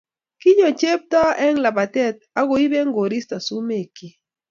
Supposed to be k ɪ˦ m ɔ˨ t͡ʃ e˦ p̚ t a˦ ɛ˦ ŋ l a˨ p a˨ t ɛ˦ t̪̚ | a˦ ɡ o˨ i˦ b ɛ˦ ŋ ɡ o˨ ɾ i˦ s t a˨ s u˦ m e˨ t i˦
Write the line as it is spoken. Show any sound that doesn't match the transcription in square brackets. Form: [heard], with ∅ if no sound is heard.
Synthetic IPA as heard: k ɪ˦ [ɲ] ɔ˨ t͡ʃ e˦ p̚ t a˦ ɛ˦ ŋ l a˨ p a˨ t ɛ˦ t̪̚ | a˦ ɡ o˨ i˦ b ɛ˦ ŋ ɡ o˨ ɾ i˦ s t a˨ s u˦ m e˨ [k] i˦